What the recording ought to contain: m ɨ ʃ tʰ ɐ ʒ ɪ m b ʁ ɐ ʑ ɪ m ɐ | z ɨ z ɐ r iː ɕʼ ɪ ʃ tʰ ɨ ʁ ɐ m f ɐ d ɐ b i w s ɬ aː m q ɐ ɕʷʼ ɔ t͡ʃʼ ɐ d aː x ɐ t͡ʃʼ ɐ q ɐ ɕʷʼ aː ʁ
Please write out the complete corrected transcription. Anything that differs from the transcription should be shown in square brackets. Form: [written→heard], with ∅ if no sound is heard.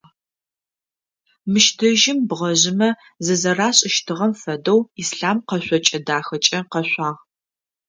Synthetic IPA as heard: m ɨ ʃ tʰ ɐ ʒ ɪ m b ʁ ɐ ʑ ɪ m ɐ | z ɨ z ɐ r [iː→aː] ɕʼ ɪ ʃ tʰ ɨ ʁ ɐ m f ɐ d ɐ [b→w] i [w→∅] s ɬ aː m q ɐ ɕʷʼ ɔ t͡ʃʼ ɐ d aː x ɐ t͡ʃʼ ɐ q ɐ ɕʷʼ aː ʁ